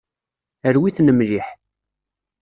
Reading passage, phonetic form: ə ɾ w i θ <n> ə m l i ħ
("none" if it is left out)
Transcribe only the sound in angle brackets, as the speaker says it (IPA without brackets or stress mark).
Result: n